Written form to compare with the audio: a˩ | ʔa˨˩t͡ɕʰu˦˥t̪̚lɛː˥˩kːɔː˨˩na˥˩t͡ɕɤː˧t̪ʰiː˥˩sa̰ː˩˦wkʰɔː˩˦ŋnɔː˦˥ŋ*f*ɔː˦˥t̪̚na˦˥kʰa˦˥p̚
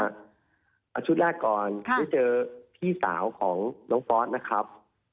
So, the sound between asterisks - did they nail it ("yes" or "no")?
yes